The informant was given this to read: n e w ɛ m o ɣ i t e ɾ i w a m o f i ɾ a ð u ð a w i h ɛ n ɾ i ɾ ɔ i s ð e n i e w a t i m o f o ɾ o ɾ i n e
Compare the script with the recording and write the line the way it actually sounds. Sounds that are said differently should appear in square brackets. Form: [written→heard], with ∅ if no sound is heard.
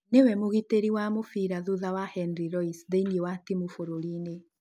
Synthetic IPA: n e w ɛ m o ɣ i t e ɾ i w a m o f i ɾ a ð u ð a w [i→a] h ɛ n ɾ i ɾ ɔ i s ð e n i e w a t i m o f o ɾ o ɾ i n e